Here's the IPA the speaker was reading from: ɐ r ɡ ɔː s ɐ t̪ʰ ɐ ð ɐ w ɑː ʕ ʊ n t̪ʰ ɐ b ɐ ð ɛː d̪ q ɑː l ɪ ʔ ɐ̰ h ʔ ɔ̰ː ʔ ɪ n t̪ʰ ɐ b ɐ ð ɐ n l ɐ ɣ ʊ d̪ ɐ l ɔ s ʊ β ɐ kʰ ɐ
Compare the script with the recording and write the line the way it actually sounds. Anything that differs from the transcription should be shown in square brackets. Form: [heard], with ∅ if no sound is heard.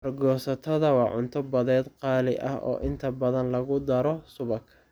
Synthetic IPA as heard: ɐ r ɡ ɔː s ɐ t̪ʰ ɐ ð ɐ w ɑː ʕ ʊ n t̪ʰ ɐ b ɐ ð ɛː d̪ q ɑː l ɪ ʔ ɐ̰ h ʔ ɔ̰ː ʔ ɪ n t̪ʰ ɐ b ɐ ð ɐ n l ɐ ɣ ʊ d̪ ɐ [ɾ] ɔ s ʊ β ɐ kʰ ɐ